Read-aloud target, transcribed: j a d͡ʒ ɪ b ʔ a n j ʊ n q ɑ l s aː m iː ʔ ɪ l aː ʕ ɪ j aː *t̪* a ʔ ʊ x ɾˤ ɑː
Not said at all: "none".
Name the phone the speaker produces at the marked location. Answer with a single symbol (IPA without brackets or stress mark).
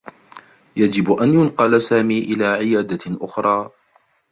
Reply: d̪